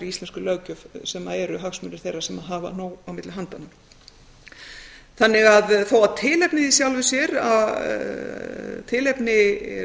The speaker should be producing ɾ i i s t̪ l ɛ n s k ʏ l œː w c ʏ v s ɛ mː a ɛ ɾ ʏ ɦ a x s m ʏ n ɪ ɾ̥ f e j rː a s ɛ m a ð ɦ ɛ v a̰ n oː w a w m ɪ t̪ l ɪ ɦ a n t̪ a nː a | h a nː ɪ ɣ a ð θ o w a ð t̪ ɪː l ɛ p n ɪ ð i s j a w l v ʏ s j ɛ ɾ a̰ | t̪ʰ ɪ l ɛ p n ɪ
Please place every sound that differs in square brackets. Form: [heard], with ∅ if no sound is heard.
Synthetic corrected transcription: ɾ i i s t̪ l ɛ n s k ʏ l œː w c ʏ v s ɛ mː a ɛ ɾ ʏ ɦ a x s m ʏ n ɪ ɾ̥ [θ] e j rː a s ɛ m a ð ɦ [a] v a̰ n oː w a w m ɪ t̪ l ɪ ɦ a n t̪ a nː a | [θ] a nː ɪ ɣ a ð θ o w a ð [t̪ʰ] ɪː l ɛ p n ɪ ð i s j a w l v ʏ s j ɛ ɾ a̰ | t̪ʰ ɪ l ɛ p n ɪ

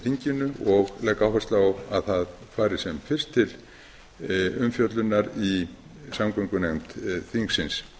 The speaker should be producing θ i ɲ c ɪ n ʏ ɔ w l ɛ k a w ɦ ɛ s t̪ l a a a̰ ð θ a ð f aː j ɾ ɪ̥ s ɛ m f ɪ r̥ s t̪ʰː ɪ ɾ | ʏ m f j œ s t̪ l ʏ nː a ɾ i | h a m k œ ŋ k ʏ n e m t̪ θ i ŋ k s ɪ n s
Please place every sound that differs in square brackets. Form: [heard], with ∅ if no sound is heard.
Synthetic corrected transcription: θ i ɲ c ɪ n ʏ ɔ [ɣ] l ɛ k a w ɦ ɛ s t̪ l a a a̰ ð θ a ð f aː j ɾ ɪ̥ s ɛ m f ɪ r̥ s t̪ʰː ɪ [l] | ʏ m f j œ [∅] t̪ l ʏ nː a ɾ i | [s] a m k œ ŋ k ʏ n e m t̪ θ i ŋ k s ɪ n s

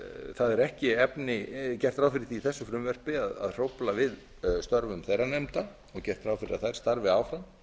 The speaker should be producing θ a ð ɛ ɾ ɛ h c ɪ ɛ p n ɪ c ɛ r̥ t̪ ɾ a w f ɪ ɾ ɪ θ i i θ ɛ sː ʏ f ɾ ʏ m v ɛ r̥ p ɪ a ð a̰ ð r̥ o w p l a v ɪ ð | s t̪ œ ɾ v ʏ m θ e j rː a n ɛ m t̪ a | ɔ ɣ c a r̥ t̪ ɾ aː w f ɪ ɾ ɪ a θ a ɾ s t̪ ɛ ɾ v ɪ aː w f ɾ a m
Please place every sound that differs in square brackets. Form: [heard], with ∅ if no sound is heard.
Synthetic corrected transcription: θ a ð ɛ ɾ ɛ h c ɪ ɛ p n ɪ c ɛ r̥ t̪ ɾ a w f ɪ ɾ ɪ θ i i θ ɛ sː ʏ f ɾ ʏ m v ɛ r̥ p ɪ a ð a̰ ð r̥ o w p l a v ɪ ð | s t̪ œ ɾ v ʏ m θ e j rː a n ɛ m t̪ a | ɔ ɣ c [ɛ] r̥ t̪ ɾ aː w f ɪ ɾ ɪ a θ a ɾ s t̪ [a] ɾ v ɪ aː w f ɾ a m

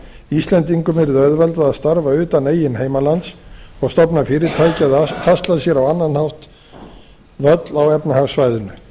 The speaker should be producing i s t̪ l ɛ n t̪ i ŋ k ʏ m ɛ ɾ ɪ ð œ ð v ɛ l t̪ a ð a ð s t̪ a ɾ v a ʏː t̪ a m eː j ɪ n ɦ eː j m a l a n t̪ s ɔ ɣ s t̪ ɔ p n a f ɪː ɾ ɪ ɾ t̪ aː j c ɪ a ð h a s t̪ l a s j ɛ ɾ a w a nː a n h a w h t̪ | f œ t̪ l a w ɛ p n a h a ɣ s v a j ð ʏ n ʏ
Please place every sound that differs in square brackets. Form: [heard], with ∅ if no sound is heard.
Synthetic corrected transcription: i s t̪ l ɛ n t̪ i ŋ k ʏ m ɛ ɾ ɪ ð œ ð v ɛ l t̪ a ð a ð s t̪ a ɾ v a ʏː t̪ a [n] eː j ɪ n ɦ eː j m a l a n t̪ s ɔ ɣ s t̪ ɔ p n a f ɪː ɾ ɪ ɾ [t̪ʰ] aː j c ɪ a ð h a s t̪ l a s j ɛ ɾ a w a nː a n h a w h t̪ | [v] œ t̪ l a w ɛ p n a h a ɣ s v a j ð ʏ n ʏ

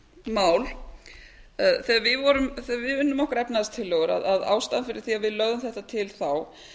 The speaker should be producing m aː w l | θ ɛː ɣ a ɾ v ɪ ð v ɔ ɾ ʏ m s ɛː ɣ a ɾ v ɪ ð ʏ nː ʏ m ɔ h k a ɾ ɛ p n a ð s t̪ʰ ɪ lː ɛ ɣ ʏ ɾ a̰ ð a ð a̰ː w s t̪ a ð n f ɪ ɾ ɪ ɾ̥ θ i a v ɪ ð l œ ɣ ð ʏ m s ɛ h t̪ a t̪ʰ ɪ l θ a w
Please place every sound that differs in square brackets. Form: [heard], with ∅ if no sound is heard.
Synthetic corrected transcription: m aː w l | θ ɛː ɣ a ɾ v ɪ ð v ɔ ɾ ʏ m [θ] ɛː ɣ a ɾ v ɪ ð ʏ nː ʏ m ɔ h k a ɾ ɛ p n a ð s t̪ʰ ɪ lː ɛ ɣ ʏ ɾ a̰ ð a ð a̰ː w s t̪ a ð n f ɪ ɾ ɪ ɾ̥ θ i a v ɪ ð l œ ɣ ð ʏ m [θ] ɛ h t̪ a t̪ʰ ɪ l θ a w

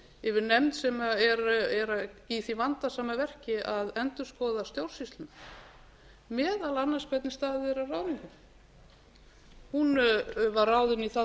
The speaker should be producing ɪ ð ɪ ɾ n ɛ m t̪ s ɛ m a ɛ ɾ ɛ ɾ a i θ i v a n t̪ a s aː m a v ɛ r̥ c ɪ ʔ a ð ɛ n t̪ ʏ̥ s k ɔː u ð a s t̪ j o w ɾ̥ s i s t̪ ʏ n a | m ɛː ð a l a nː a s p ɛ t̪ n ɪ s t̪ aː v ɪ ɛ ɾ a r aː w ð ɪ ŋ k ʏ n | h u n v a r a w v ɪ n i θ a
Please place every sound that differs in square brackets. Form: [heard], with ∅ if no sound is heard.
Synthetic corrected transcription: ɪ [v] ɪ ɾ n ɛ m t̪ s ɛ m a ɛ ɾ ɛ ɾ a i θ i v a n t̪ a s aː m a v ɛ r̥ c ɪ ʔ a ð ɛ n t̪ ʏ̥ s k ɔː [w] ð a s t̪ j o w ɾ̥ s i s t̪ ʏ n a | m ɛː ð a l a nː a s p ɛ t̪ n ɪ s t̪ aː [ð] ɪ ɛ ɾ a r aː w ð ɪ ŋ k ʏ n | h u n v a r a w [ð] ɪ n i θ a

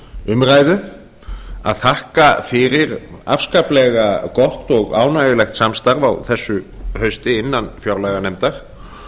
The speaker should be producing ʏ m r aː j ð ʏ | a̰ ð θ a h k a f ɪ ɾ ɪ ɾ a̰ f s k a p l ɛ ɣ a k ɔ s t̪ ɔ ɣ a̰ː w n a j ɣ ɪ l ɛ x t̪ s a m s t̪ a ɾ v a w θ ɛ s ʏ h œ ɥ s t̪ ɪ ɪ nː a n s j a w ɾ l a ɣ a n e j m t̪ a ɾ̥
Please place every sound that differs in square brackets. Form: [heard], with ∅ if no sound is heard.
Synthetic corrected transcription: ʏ m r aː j ð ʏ | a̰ ð θ a h k a f ɪ ɾ ɪ ɾ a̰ f s k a p l ɛ ɣ a k ɔ [h] t̪ ɔ ɣ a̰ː w n a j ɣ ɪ l ɛ x t̪ s a m s t̪ a ɾ v a w θ ɛ [sː] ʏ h œ ɥ s t̪ ɪ ɪ nː a n [f] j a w ɾ l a ɣ a n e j m t̪ a ɾ̥

